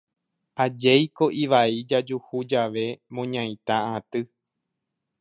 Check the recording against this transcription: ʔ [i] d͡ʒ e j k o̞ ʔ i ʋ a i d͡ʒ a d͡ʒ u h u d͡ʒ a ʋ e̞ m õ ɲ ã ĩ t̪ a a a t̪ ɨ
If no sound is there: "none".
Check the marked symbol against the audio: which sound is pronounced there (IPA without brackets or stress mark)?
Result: a